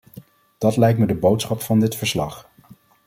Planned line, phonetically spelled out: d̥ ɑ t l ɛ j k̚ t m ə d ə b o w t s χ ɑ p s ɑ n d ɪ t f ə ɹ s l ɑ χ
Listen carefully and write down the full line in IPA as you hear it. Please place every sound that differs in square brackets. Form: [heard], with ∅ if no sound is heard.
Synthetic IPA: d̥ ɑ t l ɛ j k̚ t m ə d ə b o w t s χ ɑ p [f] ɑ n d ɪ t f ə ɹ s l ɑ χ